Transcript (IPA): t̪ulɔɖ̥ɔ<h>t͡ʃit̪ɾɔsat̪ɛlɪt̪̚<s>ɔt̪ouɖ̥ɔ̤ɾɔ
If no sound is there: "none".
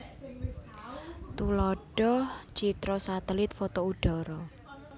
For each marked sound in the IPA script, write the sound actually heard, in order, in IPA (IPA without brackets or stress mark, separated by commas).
h, f